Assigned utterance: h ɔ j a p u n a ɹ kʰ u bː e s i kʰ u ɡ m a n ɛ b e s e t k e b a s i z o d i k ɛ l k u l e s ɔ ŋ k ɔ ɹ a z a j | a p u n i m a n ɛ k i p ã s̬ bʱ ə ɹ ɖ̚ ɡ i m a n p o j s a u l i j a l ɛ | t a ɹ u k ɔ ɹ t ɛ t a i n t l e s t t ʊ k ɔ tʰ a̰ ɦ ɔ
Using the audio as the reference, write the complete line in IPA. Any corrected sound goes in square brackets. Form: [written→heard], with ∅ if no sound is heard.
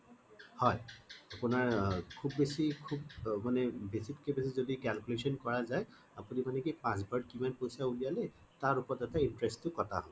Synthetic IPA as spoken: h ɔ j a p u n a ɹ kʰ u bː e s i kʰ u [ɡ→b] m a n ɛ b e s [e→i] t k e b [a→e] s i z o d i k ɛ l k u l e s ɔ [ŋ→n] k ɔ ɹ a z a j | a p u n i m a n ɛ k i p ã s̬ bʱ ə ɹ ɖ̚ [ɡ→k] i m a n p o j s a u l i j a l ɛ | t a ɹ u [k→p] ɔ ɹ t ɛ t a i n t [l→ɹ] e s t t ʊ k ɔ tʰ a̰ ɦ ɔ